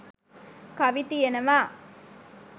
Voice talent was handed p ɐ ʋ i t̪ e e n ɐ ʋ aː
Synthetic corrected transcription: k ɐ ʋ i t̪ i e n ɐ ʋ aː